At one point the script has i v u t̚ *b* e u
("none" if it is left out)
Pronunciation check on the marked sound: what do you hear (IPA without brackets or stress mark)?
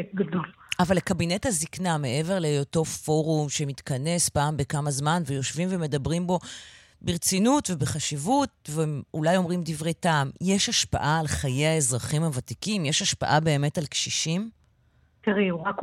v